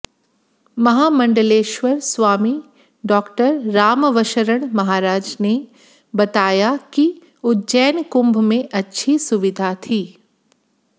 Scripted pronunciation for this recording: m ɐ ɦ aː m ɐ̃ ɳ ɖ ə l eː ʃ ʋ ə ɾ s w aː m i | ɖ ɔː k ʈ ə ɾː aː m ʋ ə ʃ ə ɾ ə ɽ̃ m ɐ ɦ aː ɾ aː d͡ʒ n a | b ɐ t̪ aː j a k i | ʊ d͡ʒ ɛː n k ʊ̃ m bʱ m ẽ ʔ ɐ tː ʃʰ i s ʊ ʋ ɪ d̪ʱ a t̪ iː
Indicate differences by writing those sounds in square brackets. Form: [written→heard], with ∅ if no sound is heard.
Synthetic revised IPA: m ɐ ɦ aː m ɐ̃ ɳ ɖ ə l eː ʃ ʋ ə ɾ s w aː m i | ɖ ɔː k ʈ ə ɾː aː m ʋ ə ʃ ə ɾ ə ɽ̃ m ɐ ɦ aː ɾ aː d͡ʒ n [a→e] | b ɐ t̪ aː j a k i | ʊ d͡ʒ ɛː n k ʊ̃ m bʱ m ẽ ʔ ɐ tː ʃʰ i s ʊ ʋ ɪ d̪ʱ a [t̪→t̪ʰ] iː